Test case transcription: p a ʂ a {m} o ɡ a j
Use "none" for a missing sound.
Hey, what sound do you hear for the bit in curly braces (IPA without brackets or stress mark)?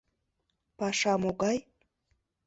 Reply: m